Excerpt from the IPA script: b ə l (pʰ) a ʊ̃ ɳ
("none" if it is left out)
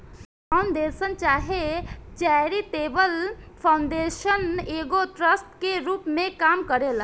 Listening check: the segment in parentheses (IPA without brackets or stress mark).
pʰ